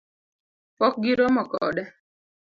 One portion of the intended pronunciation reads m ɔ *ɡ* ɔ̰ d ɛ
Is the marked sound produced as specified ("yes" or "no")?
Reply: no